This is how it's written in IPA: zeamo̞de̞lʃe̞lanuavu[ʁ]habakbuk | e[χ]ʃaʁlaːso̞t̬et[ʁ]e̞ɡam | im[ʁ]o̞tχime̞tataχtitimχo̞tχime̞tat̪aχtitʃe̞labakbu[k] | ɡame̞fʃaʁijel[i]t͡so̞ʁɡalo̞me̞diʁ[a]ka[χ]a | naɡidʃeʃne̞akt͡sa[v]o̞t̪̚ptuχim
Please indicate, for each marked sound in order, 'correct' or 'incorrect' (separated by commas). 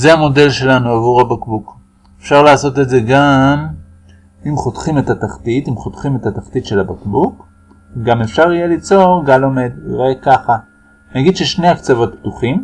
correct, incorrect, incorrect, incorrect, correct, correct, incorrect, correct, correct